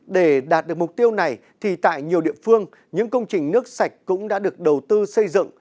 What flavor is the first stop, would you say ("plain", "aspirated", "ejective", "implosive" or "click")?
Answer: implosive